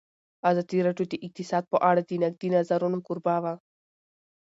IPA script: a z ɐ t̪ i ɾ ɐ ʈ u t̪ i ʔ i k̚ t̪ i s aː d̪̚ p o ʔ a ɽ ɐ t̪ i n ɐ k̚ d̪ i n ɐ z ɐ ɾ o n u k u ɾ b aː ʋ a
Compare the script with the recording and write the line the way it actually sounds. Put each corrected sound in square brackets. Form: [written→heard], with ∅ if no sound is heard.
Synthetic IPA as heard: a z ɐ t̪ i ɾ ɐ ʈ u t̪ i ʔ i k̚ t̪ i s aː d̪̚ p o ʔ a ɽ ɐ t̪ i n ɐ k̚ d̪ i n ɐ z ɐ ɾ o n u k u ɾ b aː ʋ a